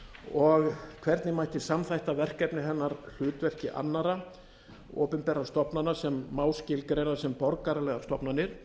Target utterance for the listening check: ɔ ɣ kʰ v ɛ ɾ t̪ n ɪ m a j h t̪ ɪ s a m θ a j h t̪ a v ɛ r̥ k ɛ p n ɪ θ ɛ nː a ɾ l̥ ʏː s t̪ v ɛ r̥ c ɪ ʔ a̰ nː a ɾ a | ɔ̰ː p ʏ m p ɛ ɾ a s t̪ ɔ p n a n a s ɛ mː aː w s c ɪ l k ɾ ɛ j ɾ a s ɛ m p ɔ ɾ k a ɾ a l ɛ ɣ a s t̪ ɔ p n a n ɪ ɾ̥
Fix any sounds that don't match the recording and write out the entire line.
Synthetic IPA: ɔ ɣ kʰ v ɛ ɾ t̪ n ɪ m a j h t̪ ɪ s a m θ a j h t̪ a v ɛ r̥ k ɛ p n ɪ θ ɛ nː a ɾ l̥ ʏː t̪ v ɛ r̥ c ɪ ʔ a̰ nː a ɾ a | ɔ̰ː p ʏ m p ɛ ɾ a s t̪ ɔ p n a n a s ɛ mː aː w s c ɪ l k ɾ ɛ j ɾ a s ɛ m p ɔ ɾ k a ɾ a l ɛ ɣ a s t̪ ɔ p n a n ɪ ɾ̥